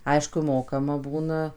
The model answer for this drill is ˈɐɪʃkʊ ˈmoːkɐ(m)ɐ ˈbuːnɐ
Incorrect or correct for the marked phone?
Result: correct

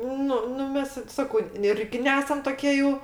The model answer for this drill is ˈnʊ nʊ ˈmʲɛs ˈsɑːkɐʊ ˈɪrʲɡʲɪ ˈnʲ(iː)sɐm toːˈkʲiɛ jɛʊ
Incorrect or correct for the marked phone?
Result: incorrect: æː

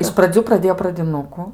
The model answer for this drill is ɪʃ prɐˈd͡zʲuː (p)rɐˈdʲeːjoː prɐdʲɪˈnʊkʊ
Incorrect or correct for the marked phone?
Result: correct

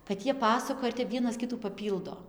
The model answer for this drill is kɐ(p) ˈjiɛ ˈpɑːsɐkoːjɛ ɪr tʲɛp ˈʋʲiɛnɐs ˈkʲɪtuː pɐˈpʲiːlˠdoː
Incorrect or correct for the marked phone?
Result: incorrect: t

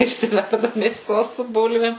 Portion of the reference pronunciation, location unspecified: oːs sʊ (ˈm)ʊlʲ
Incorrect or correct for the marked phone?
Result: incorrect: b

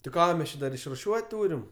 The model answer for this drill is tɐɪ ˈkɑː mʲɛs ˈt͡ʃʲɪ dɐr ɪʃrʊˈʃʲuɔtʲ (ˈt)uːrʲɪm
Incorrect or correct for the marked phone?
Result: correct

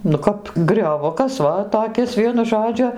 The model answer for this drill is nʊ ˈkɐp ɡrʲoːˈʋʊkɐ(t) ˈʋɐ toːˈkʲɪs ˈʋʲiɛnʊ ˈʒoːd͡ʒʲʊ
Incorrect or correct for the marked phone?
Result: incorrect: s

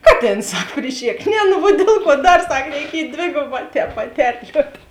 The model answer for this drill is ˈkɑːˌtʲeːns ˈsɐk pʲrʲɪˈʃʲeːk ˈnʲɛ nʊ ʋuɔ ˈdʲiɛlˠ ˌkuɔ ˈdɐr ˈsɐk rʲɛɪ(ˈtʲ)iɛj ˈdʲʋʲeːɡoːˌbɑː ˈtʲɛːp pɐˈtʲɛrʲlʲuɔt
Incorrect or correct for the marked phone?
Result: incorrect: kʲ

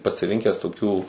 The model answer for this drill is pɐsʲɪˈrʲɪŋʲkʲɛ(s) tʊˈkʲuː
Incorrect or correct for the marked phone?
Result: correct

